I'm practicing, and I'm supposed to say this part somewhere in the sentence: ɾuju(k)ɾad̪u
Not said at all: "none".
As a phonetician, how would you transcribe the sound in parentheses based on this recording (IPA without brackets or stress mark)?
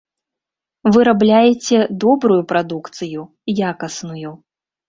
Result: p